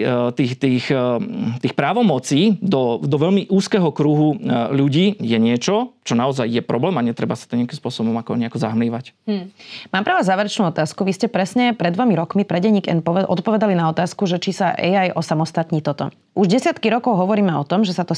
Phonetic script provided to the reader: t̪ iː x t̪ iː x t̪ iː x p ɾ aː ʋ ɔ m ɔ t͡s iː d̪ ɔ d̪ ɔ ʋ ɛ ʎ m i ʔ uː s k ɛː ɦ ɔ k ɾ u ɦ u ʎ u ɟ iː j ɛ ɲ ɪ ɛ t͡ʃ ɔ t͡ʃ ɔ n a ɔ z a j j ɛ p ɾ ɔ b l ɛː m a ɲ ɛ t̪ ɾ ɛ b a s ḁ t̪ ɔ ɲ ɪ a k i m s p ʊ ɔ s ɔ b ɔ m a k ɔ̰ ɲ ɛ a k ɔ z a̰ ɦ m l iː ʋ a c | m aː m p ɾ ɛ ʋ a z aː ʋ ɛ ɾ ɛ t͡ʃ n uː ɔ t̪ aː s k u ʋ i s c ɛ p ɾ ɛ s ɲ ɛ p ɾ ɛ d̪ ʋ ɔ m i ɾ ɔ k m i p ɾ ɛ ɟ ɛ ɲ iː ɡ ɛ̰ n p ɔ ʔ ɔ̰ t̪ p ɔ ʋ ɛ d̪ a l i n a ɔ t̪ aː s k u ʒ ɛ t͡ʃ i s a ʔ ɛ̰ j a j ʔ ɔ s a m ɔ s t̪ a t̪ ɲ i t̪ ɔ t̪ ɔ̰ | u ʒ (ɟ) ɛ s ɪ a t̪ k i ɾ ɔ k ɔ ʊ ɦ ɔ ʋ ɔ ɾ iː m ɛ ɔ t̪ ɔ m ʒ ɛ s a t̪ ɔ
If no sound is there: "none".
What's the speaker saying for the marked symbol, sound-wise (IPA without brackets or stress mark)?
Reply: ɟ